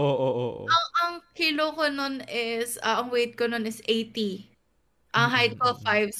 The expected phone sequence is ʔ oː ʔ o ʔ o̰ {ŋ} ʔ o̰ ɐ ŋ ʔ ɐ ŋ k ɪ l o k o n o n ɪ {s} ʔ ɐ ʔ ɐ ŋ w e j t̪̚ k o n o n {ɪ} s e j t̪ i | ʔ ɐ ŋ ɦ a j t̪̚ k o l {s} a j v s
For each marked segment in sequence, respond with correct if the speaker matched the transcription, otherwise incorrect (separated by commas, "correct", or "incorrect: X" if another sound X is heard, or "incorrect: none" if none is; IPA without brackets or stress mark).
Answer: incorrect: none, correct, correct, incorrect: f